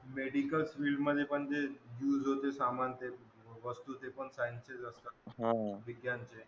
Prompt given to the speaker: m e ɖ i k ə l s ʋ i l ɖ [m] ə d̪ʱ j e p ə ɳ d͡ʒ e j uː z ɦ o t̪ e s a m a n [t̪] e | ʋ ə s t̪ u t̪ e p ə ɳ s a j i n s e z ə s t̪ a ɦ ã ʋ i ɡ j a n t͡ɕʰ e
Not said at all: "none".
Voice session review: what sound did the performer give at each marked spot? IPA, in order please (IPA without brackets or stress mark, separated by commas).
m, t̪